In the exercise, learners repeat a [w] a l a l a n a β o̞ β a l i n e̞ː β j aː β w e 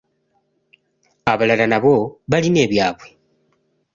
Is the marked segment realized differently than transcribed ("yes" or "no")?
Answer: yes